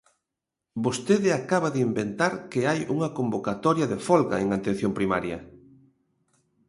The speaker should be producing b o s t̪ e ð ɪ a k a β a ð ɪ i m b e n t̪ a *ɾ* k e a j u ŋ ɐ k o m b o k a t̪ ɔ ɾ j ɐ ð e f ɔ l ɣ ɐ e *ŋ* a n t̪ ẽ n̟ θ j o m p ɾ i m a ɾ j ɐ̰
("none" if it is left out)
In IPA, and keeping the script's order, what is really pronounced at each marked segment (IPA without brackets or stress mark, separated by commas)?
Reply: ɾ, ŋ